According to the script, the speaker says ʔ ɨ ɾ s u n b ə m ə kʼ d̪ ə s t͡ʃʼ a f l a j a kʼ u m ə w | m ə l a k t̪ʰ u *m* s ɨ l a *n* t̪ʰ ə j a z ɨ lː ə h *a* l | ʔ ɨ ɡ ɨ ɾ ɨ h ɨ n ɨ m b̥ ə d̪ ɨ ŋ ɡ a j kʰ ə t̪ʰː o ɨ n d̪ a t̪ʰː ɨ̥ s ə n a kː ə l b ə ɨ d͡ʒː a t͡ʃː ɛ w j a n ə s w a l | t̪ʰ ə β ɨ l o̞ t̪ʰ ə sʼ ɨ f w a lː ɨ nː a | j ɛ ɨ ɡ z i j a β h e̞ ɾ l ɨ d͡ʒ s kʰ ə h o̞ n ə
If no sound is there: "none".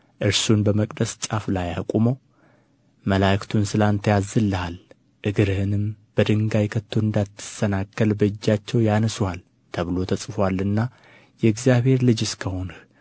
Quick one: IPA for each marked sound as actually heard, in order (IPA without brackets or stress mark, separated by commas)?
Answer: n, n, a